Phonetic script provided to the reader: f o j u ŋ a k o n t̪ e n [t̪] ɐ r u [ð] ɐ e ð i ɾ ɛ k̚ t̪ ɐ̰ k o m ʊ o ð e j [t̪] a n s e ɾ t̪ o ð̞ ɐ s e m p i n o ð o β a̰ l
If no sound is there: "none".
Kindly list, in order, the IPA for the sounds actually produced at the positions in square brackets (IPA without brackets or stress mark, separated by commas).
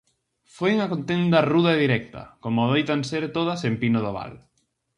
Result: d̪, ð, t̪